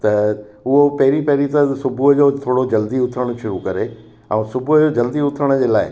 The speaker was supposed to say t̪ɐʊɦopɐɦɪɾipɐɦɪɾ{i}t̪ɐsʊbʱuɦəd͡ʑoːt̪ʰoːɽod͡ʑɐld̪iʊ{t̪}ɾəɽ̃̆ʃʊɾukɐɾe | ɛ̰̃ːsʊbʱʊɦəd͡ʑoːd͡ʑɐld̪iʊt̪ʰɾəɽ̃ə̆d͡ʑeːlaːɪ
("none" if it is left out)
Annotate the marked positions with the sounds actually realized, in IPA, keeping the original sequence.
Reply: i, t̪ʰ

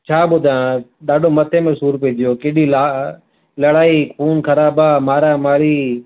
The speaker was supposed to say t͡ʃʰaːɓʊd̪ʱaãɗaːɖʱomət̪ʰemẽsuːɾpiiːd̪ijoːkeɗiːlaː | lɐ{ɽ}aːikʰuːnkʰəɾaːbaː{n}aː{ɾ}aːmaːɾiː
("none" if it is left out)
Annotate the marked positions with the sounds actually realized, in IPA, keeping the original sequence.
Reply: ɽ, m, ɾ

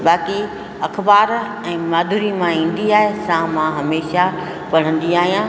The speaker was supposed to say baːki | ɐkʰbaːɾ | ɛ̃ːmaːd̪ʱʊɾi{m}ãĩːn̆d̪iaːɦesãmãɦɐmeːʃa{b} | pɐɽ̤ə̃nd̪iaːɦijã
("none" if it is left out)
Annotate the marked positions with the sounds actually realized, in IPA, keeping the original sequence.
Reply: m, none

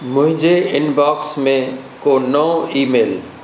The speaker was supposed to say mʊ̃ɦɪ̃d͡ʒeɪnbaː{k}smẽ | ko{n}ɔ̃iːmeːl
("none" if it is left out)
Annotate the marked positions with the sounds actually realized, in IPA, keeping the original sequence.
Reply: k, n

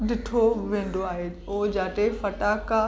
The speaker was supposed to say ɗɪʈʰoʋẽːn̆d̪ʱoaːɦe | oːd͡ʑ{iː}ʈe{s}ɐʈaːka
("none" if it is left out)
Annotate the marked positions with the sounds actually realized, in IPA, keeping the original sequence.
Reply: aː, f

